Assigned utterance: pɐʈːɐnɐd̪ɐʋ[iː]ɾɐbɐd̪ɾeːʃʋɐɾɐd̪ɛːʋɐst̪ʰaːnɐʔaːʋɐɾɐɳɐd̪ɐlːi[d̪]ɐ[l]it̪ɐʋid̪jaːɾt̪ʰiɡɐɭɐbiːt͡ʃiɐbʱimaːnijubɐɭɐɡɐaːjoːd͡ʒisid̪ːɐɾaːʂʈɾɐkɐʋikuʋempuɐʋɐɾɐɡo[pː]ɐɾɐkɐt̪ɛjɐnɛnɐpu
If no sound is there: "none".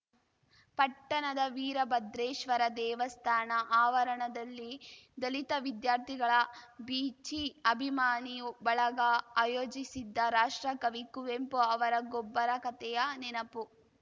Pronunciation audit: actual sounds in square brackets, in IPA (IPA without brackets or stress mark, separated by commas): iː, d̪, l, bː